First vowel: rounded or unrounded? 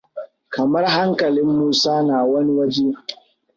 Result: unrounded